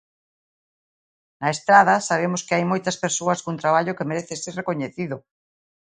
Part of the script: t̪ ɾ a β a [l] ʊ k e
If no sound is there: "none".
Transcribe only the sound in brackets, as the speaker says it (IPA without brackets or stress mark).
ʎ